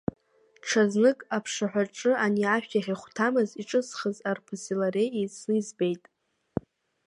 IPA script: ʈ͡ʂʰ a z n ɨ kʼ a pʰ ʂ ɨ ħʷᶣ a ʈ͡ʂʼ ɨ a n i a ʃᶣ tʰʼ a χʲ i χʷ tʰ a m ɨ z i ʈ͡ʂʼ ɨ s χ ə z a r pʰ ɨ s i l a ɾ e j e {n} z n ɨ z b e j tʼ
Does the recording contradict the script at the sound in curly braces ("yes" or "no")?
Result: yes